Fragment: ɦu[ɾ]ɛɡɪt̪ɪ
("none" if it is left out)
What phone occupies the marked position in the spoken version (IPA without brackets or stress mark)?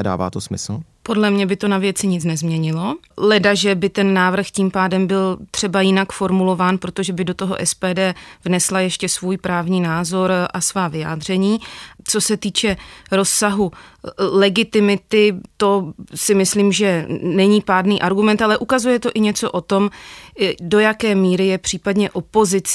l